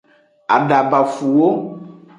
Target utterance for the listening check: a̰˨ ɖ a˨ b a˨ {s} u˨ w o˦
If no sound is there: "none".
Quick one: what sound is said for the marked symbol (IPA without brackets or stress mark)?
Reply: f